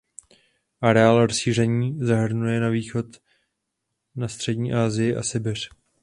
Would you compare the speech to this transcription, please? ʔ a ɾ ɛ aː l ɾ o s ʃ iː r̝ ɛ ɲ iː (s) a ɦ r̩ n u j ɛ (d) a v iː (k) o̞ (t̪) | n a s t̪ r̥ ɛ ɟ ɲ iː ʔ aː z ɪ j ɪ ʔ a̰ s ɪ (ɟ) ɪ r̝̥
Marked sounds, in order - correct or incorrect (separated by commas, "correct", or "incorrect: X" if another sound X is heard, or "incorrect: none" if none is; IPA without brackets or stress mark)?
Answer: incorrect: z, incorrect: n, incorrect: x, correct, incorrect: b